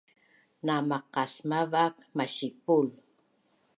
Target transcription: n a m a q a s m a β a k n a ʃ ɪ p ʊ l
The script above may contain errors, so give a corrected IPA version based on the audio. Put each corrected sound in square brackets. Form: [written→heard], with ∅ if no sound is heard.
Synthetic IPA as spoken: n a m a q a s m a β a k [n→m] a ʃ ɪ p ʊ l